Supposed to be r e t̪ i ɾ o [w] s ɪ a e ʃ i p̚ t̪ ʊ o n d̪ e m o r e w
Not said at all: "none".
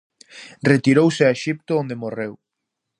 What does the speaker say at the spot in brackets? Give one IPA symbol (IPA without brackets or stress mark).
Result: w